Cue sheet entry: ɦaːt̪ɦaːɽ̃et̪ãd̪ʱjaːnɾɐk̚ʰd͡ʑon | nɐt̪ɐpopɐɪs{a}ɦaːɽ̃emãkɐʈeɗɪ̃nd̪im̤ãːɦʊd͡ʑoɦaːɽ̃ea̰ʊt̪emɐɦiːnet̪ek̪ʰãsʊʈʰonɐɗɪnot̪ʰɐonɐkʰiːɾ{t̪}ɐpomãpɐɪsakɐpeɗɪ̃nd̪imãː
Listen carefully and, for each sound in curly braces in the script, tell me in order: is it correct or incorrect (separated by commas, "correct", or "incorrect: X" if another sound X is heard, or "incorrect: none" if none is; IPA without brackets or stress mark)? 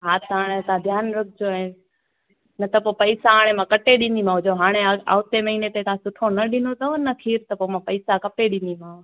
correct, correct